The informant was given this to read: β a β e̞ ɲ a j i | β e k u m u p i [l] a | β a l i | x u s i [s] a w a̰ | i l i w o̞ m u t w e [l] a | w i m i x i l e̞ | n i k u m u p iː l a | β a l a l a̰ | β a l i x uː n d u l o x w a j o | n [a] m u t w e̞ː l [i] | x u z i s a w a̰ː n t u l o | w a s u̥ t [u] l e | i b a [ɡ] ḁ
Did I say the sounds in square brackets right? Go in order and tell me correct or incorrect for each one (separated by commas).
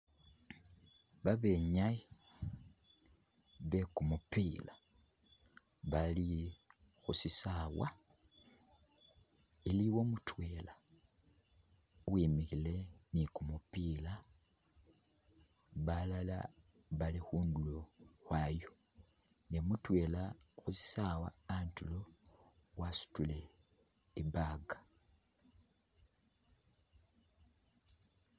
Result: correct, correct, correct, incorrect, incorrect, correct, correct